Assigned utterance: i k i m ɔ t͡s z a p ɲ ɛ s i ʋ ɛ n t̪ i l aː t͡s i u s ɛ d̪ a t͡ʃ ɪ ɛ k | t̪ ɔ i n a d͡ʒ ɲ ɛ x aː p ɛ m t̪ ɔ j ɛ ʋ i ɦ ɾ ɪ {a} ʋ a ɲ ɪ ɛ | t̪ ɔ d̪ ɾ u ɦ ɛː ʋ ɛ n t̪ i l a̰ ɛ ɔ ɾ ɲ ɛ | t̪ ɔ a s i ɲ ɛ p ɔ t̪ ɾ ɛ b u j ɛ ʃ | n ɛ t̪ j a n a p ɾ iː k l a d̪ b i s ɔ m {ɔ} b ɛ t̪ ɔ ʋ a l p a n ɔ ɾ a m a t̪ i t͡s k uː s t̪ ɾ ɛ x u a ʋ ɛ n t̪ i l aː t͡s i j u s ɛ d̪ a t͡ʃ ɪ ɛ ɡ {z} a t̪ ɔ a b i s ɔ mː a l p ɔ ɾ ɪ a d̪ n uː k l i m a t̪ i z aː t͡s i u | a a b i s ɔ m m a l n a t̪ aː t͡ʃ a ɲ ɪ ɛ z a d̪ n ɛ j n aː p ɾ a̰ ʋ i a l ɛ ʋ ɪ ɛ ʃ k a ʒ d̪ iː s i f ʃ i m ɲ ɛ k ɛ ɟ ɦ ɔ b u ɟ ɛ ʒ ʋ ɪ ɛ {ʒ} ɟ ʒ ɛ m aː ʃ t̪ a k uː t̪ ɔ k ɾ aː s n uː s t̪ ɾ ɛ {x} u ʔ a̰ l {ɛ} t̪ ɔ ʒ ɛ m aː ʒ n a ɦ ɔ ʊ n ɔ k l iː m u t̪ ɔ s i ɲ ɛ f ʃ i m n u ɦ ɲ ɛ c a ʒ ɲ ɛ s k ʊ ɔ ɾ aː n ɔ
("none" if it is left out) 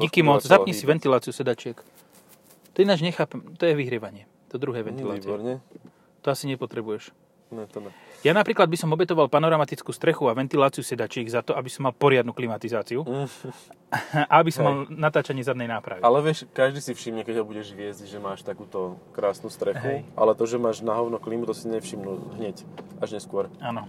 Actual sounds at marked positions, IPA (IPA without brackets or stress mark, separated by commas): ɛ, ɔ, z, z, x, ɛ